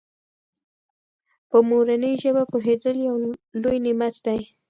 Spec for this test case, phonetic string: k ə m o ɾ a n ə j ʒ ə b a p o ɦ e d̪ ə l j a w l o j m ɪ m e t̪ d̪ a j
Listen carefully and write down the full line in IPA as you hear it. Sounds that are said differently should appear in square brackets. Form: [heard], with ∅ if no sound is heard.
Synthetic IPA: [p] ə m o ɾ a n ə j ʒ ə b a p o ɦ e d̪ ə l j a w l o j [n] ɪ m [a] t̪ d̪ a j